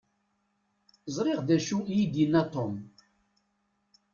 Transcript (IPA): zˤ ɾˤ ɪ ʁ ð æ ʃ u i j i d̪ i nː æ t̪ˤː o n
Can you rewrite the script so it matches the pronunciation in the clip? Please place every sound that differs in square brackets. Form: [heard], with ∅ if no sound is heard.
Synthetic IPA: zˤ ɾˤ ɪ ʁ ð æ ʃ u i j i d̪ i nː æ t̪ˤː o [m]